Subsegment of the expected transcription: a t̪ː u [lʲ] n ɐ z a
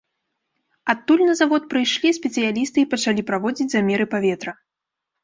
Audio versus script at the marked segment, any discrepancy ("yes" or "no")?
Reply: no